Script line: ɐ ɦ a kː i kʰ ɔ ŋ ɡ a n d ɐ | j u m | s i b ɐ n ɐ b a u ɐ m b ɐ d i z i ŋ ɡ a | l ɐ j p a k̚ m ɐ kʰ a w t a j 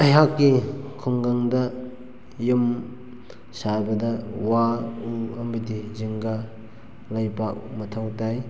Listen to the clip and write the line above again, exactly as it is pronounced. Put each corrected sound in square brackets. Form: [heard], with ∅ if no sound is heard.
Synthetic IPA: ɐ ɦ a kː i kʰ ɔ ŋ ɡ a [ŋ] d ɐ | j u m | s [a] b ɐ [d] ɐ [w] a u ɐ m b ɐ d i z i ŋ ɡ a | l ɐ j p a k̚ m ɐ [tʰ] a w t a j